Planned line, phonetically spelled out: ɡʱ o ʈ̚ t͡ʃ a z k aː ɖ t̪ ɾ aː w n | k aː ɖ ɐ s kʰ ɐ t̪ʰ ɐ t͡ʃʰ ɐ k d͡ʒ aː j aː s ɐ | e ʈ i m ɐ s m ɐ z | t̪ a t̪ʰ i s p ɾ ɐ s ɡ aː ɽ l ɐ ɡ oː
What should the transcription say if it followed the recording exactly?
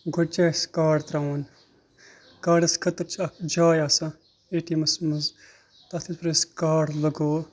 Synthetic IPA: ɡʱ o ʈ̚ t͡ʃ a s k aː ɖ t̪ ɾ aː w n | k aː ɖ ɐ s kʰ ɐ t̪ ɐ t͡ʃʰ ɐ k d͡ʒ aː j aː s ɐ | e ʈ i m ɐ s m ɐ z | t̪ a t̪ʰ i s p ɾ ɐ s k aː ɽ l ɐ ɡ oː

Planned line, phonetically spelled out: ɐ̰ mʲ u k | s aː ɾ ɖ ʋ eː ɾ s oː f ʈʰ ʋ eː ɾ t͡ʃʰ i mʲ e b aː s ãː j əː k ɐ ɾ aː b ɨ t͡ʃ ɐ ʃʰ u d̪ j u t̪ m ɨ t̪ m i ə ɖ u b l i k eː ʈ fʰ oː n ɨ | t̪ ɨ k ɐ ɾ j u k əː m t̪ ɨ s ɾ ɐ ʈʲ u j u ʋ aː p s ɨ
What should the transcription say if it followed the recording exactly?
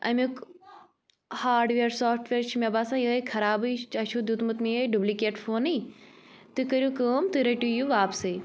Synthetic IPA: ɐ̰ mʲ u k | h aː ɾ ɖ ʋ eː ɾ s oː f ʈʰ ʋ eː ɾ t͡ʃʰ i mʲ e b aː s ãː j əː kʰ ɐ ɾ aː b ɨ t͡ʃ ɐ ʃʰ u d̪ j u t̪ m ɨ t̪ m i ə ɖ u b l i k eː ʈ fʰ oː n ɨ | t̪ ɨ k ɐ ɾ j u k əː m t̪ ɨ ɾ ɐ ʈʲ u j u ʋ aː p s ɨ

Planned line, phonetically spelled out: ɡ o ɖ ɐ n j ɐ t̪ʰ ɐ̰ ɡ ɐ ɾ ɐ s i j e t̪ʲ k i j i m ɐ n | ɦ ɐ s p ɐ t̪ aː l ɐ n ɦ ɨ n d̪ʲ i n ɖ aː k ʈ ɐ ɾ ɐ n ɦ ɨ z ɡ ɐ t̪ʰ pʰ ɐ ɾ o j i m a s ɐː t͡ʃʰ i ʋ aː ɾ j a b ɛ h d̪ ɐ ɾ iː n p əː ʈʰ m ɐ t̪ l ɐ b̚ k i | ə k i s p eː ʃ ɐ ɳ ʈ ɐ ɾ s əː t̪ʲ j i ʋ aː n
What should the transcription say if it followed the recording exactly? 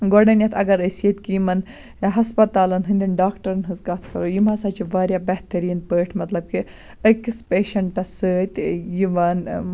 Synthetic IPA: ɡ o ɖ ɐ n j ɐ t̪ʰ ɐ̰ ɡ ɐ ɾ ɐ s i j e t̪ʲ k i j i m ɐ n | ɦ ɐ s p ɐ t̪ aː l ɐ n ɦ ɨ n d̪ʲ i n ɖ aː k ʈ ɐ ɾ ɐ n ɦ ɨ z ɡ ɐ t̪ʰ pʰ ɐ ɾ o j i m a s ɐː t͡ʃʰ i ʋ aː ɾ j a b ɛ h t̪ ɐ ɾ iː n p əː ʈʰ m ɐ t̪ l ɐ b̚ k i | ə k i s p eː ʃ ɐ ɳ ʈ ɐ s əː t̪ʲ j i ʋ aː n

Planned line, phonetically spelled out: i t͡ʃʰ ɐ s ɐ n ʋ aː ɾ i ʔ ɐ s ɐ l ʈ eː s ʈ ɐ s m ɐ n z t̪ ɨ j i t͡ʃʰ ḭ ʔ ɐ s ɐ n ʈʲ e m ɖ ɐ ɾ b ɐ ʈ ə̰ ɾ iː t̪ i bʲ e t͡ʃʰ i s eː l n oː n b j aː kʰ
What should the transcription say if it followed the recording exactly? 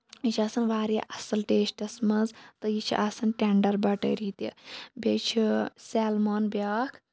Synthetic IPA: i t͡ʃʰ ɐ s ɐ n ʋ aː ɾ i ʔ ɐ s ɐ l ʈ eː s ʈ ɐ s m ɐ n z t̪ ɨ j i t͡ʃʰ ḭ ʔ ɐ s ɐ n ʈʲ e ɳ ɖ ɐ ɾ b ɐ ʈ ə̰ ɾ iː t̪ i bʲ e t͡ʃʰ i s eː l m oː n b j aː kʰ

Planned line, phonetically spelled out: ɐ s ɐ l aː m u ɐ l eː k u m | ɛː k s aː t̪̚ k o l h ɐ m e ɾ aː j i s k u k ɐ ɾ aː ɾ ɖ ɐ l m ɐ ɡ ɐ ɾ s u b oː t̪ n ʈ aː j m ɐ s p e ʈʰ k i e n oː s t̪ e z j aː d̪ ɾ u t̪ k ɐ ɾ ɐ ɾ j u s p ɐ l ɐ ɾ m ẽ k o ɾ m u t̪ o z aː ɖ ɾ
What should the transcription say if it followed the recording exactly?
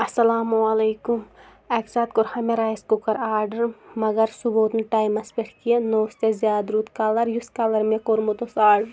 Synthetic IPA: ɐ s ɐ l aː m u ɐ l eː k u m | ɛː k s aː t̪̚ k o ɾ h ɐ m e ɾ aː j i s k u k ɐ ɾ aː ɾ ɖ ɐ ɾ m ɐ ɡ ɐ ɾ s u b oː t̪ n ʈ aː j m ɐ s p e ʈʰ k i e n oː s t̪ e z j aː d̪ ɾ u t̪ k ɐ l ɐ ɾ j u s k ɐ l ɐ ɾ m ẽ k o ɾ m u t̪ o s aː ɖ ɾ

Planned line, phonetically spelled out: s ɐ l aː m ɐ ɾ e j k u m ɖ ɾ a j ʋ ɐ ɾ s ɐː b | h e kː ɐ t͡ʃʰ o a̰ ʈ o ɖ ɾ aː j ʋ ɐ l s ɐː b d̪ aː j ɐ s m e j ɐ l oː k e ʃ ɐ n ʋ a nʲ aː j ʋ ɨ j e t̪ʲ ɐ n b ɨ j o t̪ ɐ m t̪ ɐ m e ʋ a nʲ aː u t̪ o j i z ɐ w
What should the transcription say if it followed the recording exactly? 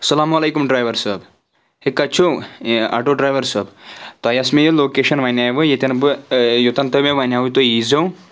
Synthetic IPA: s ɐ l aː m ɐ l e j k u m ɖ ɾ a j ʋ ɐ ɾ s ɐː b | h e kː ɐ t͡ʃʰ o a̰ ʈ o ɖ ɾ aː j ʋ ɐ ɾ s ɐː b t̪ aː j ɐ s m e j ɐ l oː k e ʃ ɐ n ʋ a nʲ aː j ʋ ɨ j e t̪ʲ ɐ n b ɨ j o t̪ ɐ n t̪ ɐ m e ʋ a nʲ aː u t̪ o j i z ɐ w

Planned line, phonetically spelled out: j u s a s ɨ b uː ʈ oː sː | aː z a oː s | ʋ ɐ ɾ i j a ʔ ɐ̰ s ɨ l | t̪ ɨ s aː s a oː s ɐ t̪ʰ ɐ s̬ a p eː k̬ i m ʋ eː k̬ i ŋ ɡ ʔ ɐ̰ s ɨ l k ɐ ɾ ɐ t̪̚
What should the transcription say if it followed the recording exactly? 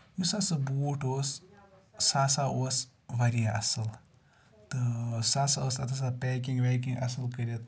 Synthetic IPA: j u s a s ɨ b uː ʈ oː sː | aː s a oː s | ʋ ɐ ɾ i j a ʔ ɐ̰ s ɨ l | t̪ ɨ s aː s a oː s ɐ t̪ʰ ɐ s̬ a p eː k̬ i ŋ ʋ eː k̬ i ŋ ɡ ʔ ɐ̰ s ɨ l k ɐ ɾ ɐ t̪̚

